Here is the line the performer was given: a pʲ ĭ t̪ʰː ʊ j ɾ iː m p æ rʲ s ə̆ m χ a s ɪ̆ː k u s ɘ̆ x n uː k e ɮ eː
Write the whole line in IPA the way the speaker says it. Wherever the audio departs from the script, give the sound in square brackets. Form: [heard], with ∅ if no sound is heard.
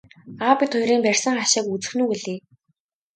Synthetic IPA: a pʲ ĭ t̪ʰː ʊ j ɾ iː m p æ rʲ s ə̆ [ŋ] χ a [ʃ] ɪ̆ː k u [t͡s] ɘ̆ x n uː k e ɮ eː